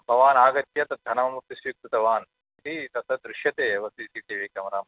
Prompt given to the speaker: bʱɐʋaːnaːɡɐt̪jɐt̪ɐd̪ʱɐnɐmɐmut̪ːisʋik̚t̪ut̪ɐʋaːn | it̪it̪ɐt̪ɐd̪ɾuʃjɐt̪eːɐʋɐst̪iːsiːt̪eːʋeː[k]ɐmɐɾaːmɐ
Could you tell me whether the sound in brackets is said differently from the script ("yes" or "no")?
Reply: no